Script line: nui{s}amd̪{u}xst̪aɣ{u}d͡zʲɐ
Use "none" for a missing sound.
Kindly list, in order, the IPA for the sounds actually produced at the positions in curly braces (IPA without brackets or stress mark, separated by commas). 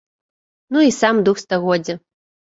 s, u, ɔ